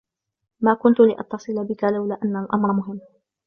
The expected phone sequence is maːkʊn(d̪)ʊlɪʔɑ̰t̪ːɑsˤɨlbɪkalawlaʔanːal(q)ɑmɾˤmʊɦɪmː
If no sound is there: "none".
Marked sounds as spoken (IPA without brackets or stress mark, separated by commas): t̪, ʔ